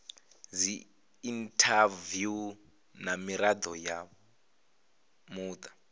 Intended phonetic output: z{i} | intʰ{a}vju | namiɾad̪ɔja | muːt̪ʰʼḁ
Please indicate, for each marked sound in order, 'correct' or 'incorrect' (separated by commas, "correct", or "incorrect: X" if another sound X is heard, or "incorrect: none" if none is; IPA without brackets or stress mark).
correct, correct